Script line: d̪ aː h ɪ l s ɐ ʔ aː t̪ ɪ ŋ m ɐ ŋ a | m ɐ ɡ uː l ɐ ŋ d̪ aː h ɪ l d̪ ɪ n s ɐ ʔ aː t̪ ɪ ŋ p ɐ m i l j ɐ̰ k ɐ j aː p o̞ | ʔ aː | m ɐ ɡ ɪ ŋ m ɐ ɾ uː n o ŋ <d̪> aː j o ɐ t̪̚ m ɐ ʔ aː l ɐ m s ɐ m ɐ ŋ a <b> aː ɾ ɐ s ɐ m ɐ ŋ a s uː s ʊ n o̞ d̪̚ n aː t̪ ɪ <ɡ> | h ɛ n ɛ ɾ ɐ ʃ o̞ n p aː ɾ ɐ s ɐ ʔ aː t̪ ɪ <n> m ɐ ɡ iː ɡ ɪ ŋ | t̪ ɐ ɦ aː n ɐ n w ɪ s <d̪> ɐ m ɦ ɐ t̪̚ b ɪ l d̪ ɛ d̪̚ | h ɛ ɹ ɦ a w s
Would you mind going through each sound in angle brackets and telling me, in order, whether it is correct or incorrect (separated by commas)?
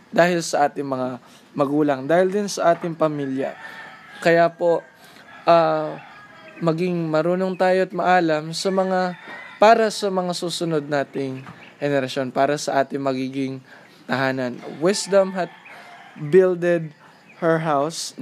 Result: incorrect, incorrect, incorrect, incorrect, correct